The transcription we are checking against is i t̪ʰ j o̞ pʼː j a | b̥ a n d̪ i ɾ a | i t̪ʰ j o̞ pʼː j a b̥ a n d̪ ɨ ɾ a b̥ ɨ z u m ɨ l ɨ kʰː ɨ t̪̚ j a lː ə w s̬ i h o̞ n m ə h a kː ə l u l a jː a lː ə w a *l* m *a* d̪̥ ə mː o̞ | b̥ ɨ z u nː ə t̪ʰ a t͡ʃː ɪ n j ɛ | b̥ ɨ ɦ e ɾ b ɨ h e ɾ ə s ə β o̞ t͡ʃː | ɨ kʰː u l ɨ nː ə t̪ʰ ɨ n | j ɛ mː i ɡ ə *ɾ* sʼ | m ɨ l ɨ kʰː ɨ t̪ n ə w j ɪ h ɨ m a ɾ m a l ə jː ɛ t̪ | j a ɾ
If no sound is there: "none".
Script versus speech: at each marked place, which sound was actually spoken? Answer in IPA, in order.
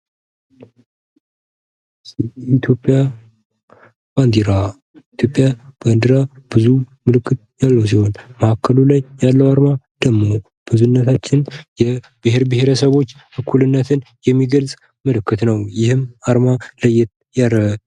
ɾ, a, l

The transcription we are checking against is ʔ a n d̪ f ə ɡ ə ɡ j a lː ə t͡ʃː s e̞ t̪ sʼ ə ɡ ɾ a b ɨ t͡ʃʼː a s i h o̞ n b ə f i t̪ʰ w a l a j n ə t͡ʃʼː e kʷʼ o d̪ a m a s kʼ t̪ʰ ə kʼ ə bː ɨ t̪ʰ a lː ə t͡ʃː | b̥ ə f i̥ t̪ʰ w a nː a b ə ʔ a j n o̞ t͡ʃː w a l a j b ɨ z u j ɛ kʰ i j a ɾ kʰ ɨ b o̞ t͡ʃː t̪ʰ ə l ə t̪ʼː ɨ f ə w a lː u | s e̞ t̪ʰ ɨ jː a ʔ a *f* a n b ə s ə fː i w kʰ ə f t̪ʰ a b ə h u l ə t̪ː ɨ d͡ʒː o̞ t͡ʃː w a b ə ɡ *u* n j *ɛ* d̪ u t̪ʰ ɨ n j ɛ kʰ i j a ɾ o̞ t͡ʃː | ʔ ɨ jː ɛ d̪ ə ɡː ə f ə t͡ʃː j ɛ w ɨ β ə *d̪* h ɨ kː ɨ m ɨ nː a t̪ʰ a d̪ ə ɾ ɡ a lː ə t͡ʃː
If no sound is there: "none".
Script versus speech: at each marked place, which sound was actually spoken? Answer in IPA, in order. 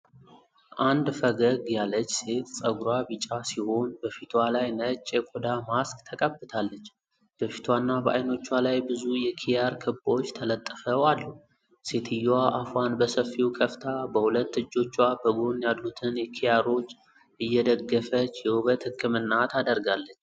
f, o, a, t̪

